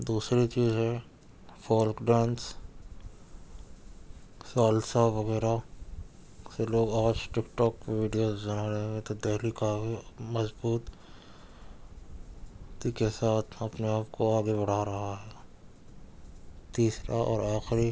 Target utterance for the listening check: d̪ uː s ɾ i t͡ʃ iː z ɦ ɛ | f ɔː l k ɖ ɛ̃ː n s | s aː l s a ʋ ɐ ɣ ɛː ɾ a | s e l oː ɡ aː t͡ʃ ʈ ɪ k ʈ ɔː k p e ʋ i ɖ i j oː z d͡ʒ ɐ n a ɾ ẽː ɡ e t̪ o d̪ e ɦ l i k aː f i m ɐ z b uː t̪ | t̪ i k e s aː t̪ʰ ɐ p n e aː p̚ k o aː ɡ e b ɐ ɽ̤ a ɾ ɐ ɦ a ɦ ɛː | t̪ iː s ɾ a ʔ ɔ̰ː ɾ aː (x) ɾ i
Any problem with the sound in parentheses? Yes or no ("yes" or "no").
no